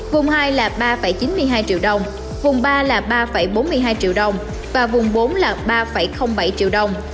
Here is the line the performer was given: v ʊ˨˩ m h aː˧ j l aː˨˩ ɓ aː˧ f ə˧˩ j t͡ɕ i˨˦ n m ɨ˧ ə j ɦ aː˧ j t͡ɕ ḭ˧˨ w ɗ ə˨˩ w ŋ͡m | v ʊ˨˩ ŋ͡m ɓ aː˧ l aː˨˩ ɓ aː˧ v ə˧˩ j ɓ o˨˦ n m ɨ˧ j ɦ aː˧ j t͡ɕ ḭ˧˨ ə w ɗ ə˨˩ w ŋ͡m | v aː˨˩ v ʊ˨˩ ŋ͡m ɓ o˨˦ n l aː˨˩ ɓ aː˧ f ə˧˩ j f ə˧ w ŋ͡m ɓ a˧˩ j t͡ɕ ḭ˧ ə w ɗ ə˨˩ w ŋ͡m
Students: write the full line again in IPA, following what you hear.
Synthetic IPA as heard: v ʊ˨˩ ŋ͡m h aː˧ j l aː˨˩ ɓ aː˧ f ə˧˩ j t͡ɕ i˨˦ n m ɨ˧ ə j ɦ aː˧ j t͡ɕ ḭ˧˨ w ɗ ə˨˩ w ŋ͡m | v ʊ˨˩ ŋ͡m ɓ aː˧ l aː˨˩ ɓ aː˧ f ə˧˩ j ɓ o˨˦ n m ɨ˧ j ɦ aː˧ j t͡ɕ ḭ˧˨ ə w ɗ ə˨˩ w ŋ͡m | v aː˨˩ v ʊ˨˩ ŋ͡m ɓ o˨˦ n l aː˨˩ ɓ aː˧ f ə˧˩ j x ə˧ w ŋ͡m ɓ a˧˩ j t͡ɕ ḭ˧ ə w ɗ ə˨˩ w ŋ͡m